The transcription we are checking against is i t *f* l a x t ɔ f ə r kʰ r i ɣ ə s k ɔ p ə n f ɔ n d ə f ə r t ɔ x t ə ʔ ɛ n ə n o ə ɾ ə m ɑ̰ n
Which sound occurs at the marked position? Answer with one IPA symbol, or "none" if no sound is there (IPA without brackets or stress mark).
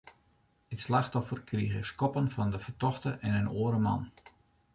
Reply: s